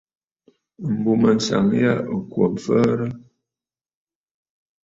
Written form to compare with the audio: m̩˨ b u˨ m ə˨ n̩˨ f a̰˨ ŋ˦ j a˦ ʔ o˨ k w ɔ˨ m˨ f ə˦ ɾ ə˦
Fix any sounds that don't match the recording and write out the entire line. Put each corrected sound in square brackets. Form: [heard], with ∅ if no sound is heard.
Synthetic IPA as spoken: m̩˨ b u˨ m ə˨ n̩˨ [s] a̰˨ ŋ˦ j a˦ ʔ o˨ k w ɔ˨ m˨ f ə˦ ɾ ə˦